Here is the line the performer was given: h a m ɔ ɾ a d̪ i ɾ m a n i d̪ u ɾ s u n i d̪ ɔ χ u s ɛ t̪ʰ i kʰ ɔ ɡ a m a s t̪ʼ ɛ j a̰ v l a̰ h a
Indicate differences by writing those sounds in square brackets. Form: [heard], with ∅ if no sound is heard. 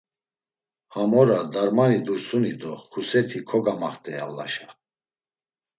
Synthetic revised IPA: h a m ɔ ɾ a d̪ [a] ɾ m a n i d̪ u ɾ s u n i d̪ ɔ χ u s ɛ t̪ʰ i kʰ ɔ ɡ a m a [χ] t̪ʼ ɛ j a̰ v l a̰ [ʃ] a